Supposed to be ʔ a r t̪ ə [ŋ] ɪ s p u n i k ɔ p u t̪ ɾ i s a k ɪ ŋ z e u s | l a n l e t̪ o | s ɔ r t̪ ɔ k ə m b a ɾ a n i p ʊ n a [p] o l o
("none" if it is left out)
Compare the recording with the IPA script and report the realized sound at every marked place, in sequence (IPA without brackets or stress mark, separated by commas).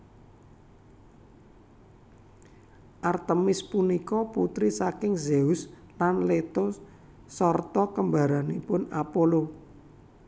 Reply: m, p